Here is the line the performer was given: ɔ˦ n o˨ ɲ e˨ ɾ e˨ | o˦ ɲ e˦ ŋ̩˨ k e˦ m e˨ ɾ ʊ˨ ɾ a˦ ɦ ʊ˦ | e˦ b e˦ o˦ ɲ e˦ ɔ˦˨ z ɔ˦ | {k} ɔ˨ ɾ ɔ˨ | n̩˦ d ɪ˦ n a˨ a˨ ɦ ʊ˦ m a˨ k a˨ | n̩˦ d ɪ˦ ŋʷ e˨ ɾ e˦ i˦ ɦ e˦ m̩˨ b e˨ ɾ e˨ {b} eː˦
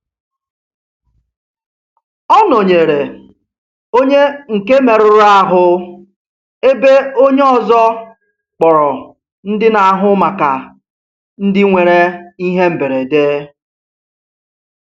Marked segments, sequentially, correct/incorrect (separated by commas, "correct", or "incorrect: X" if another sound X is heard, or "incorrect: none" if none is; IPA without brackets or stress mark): incorrect: k͡p, incorrect: d